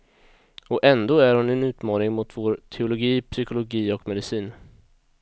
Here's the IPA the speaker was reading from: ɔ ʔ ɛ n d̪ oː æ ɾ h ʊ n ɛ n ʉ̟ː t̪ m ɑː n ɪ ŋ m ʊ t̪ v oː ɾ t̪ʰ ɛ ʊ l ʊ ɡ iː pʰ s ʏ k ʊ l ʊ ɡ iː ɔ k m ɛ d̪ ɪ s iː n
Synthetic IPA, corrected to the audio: ɔ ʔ ɛ n d̪ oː æ ɾ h ʊ n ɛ n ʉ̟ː t̪ m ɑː n ɪ ŋ m ʊ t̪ v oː ɾ t̪ʰ ɛ ʊ l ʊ ɡ iː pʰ s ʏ k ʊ l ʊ ɡ iː ɔ k m ɛ d̪ ɪ s iː n